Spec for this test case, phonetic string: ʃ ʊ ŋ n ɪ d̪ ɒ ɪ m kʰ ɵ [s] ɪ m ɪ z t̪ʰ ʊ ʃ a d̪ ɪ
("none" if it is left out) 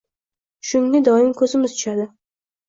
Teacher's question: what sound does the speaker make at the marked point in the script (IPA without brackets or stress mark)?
z